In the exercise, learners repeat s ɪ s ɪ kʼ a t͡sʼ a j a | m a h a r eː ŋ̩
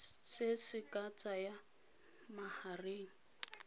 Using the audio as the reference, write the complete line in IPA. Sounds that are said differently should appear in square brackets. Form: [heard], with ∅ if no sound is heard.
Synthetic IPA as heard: s ɪ s ɪ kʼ a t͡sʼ a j a | m a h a r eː ŋ̩